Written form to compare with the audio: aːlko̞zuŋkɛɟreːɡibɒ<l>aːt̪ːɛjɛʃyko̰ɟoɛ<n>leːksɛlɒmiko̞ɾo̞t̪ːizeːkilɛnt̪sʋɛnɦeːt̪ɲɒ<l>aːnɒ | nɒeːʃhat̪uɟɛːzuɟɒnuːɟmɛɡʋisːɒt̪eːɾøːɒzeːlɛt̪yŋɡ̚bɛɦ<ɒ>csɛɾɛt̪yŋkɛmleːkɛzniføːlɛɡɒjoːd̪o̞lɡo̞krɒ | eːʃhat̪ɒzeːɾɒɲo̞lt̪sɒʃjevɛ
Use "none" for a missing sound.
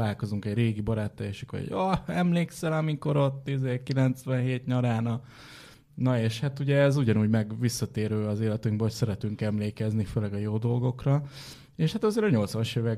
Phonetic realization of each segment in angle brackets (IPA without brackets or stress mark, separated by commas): ɾ, m, ɾ, o